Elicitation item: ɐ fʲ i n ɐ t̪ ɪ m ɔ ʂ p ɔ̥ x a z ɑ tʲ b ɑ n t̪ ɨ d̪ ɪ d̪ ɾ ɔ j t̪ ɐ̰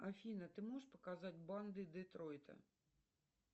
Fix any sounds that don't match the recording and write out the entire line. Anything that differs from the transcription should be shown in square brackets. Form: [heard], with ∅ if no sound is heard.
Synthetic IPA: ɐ fʲ i n ɐ t̪ ɪ m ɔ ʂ p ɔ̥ [k] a z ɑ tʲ b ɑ n [d̪] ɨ d̪ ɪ [t̪] ɾ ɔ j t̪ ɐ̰

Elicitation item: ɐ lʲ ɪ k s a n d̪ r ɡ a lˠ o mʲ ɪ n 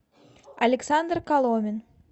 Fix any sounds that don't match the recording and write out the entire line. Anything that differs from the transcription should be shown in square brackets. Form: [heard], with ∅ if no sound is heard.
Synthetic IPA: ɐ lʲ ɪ k s a n d̪ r [k] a lˠ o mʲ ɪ n

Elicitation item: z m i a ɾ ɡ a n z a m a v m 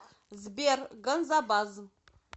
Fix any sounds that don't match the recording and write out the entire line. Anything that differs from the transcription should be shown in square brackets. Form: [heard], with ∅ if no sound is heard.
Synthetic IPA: z [b] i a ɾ ɡ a n z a [b] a [z] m

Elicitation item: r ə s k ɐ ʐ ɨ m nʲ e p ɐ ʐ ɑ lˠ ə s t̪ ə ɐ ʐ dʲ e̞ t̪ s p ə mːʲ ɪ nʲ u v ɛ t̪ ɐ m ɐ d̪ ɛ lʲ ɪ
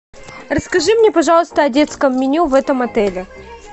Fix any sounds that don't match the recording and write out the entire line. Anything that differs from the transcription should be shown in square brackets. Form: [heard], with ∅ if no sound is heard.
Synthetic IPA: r ə s k ɐ ʐ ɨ m nʲ e p ɐ ʐ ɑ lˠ ə s t̪ ə ɐ [∅] dʲ e̞ t̪ s [k] ə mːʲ ɪ nʲ u v ɛ t̪ [ə] m ɐ [t̪] ɛ lʲ ɪ

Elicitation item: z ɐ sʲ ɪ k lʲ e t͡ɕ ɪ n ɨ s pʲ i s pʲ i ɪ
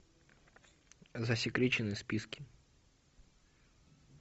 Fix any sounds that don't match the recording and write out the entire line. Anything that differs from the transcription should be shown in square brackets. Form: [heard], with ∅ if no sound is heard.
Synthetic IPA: z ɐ sʲ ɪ k [ɾʲ] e t͡ɕ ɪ n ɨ s pʲ i s [kʲ] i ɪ

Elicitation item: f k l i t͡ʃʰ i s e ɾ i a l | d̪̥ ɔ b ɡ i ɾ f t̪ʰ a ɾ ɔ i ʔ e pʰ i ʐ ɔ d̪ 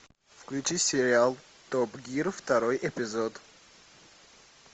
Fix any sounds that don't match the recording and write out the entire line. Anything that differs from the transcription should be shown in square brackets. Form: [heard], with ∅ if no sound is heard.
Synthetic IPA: f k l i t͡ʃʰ i s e ɾ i a l | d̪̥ ɔ b ɡ i ɾ f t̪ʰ a ɾ ɔ i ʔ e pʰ i [z] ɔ d̪

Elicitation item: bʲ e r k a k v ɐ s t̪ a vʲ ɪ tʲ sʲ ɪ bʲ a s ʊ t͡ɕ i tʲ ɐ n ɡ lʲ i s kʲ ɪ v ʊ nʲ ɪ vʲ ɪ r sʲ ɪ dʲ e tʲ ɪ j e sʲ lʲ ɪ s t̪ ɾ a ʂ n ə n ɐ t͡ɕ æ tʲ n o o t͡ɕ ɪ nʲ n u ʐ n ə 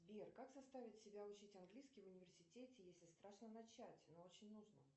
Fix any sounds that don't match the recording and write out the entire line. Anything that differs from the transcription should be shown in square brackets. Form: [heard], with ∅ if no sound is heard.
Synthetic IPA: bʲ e r k a k [z] ɐ s t̪ a vʲ ɪ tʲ sʲ ɪ bʲ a [∅] ʊ t͡ɕ i tʲ ɐ n ɡ lʲ i s kʲ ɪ v ʊ nʲ ɪ vʲ ɪ r sʲ ɪ [tʲ] e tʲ ɪ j e sʲ lʲ ɪ s t̪ ɾ a ʂ n ə n ɐ t͡ɕ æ tʲ n o o t͡ɕ ɪ nʲ n u ʐ n ə

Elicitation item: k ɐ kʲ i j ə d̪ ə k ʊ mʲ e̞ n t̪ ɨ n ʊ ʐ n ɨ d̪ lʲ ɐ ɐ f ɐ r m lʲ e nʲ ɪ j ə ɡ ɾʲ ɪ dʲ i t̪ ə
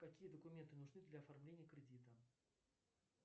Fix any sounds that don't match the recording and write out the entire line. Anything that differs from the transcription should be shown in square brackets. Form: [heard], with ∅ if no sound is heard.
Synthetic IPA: k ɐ kʲ i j ə d̪ ə k ʊ mʲ e̞ n t̪ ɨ n ʊ ʐ n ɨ d̪ lʲ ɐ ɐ f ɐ r m lʲ e nʲ ɪ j ə [k] ɾʲ ɪ dʲ i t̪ ə

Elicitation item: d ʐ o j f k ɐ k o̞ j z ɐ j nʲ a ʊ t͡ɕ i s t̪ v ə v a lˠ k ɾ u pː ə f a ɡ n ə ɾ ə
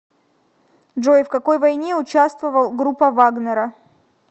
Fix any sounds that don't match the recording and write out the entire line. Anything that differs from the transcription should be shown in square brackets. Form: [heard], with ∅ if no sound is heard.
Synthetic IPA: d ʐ o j f k ɐ k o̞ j [v] ɐ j nʲ [e] ʊ t͡ɕ [a] s t̪ v ə v [ə] lˠ [ɡ] ɾ u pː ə [v] a ɡ n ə ɾ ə

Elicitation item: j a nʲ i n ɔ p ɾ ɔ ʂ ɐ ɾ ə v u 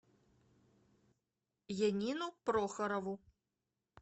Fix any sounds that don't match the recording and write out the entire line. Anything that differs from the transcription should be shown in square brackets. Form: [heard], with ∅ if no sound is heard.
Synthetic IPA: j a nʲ i n [u] p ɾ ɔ [x] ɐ ɾ [ɐ] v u

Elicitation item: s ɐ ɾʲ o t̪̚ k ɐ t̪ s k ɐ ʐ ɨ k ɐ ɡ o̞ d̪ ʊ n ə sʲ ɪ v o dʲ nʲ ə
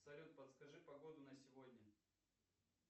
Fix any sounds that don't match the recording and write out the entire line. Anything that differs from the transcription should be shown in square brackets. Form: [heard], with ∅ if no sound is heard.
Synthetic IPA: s ɐ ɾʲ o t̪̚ [p] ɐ t̪ s k ɐ ʐ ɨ [p] ɐ ɡ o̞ d̪ ʊ n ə sʲ ɪ v o dʲ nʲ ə

